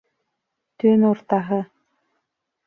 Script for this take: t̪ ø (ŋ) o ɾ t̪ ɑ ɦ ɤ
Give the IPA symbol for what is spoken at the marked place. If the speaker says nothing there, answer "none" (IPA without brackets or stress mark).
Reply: n